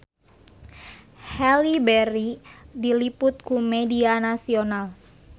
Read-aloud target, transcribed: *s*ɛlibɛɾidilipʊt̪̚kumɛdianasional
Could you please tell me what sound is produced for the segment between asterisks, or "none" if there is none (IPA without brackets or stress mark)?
h